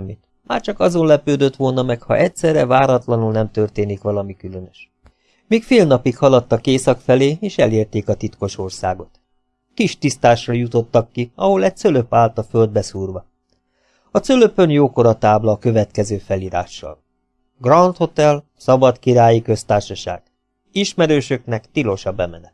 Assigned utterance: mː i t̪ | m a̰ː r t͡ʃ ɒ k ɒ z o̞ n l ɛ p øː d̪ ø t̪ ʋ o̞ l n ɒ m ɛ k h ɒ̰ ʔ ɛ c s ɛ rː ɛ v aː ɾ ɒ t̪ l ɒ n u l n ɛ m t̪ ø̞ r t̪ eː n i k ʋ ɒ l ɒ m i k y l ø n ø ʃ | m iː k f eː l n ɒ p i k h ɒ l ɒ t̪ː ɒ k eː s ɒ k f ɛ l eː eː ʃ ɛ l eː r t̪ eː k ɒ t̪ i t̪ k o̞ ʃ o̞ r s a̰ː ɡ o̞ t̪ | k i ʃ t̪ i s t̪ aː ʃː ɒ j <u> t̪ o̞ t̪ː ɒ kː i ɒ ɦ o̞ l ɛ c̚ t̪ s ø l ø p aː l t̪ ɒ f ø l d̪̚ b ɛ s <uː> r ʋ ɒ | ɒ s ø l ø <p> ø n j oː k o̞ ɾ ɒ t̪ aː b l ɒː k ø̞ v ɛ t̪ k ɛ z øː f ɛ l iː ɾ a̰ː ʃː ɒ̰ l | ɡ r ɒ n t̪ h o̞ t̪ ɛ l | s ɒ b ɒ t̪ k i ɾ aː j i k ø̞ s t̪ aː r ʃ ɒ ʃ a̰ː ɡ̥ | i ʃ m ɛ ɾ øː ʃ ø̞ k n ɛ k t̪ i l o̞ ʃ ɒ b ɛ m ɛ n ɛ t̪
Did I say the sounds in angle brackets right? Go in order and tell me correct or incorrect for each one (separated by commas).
correct, correct, correct